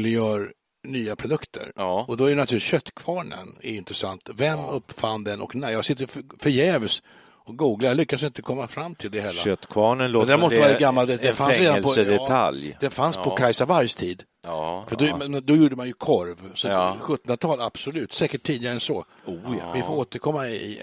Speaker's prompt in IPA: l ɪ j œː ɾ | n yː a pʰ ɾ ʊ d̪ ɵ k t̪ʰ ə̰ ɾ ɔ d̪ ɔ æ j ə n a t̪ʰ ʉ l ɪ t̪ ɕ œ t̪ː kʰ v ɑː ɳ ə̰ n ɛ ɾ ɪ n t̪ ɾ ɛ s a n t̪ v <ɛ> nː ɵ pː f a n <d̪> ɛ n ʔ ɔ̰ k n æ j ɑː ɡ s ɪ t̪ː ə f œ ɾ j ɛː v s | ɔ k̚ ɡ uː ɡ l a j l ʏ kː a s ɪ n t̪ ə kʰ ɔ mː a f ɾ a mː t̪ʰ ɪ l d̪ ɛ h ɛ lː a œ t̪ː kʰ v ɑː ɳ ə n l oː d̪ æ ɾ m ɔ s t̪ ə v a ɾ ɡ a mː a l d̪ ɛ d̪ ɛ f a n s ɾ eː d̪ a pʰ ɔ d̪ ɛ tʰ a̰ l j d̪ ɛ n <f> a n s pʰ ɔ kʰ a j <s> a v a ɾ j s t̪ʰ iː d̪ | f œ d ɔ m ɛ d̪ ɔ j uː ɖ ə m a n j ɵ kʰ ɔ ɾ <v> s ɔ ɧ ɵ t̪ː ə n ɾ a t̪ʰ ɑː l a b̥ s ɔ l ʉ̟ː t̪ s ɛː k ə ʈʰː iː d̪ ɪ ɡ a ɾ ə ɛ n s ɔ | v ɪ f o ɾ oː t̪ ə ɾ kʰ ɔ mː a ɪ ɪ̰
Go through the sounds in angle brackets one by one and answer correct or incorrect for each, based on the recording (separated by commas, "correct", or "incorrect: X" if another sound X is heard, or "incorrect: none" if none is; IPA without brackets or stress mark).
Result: correct, correct, correct, correct, correct